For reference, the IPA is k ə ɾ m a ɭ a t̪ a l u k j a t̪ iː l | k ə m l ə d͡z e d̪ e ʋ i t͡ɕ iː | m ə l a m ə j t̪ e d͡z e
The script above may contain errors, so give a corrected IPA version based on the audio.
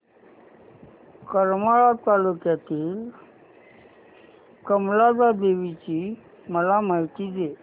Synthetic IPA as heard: k ə ɾ m a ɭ a t̪ a l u k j a t̪ iː l | k ə m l a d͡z a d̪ e ʋ i t͡ɕ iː | m ə l a m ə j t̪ i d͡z e